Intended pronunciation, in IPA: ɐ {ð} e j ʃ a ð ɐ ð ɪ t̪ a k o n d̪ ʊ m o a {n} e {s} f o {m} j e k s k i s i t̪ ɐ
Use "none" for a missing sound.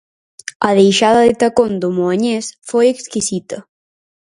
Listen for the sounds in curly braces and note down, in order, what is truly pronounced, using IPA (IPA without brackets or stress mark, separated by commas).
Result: ð, ɲ, s, none